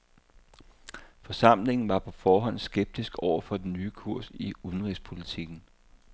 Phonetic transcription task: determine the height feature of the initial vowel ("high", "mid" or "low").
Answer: low